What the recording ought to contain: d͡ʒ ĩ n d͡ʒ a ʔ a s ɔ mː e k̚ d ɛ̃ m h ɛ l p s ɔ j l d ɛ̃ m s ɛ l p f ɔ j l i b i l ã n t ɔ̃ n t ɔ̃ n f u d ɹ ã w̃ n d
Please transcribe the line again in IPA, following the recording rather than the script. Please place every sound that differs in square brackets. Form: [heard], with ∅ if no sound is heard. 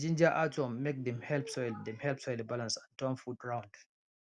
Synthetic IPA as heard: d͡ʒ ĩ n d͡ʒ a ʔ a [t] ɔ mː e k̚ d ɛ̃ m h ɛ l p s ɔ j l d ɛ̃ m [h] ɛ l p [s] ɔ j l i b [a] l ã n [s] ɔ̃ n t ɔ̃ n f u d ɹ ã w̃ n d